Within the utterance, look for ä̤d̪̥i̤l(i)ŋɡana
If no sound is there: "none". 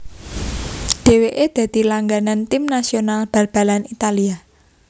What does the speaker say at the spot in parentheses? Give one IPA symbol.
a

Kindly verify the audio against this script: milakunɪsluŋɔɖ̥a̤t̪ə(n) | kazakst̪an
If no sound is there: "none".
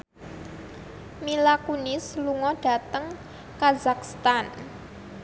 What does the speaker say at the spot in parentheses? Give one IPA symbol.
ŋ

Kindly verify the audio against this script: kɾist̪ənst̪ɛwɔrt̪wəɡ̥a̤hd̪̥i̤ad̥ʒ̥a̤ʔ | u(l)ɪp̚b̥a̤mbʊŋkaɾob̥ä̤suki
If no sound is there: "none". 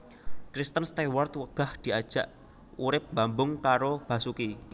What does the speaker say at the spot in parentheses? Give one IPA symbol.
ɾ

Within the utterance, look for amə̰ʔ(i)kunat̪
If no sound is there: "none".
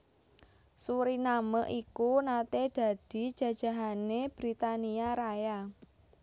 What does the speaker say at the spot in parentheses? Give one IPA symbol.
i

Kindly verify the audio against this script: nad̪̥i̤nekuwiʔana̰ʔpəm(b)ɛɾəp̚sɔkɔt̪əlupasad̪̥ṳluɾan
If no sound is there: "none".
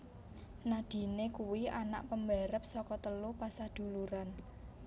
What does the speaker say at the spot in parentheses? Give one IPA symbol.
b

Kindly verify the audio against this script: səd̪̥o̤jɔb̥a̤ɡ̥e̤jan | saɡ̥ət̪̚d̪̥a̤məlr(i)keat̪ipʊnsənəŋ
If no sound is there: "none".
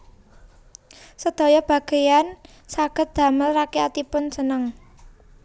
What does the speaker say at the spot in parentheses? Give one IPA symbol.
a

